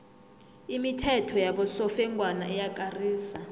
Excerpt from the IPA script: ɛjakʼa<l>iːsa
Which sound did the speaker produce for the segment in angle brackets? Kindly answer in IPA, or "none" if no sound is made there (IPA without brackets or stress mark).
r